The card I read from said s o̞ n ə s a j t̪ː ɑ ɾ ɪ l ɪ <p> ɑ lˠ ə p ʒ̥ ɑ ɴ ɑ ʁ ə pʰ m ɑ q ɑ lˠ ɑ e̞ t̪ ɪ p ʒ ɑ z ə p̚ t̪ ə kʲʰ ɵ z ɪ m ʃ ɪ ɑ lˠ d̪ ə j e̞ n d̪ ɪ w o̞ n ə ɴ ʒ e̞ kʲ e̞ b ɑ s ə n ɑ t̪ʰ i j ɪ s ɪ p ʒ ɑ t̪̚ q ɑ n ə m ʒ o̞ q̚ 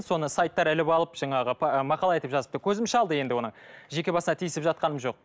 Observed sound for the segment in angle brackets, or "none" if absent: p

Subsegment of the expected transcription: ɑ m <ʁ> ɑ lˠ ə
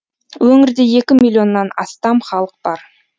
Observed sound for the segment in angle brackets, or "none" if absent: χ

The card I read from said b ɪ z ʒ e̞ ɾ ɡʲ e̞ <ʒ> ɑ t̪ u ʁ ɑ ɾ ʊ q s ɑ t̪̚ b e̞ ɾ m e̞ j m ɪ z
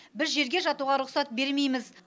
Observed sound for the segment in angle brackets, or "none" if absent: ʒ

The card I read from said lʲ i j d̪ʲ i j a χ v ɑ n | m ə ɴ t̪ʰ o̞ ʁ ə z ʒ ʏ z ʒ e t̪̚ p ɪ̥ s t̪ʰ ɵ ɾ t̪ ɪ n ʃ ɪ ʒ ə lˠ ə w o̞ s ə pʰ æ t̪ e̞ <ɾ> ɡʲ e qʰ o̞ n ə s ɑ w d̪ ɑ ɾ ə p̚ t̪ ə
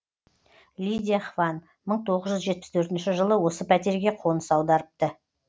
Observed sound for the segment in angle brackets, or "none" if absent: ɾ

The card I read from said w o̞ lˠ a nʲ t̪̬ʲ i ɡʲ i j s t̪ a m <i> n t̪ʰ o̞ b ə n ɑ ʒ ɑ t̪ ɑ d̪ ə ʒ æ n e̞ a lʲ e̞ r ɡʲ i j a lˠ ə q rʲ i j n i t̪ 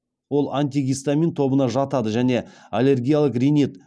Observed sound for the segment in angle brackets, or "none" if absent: i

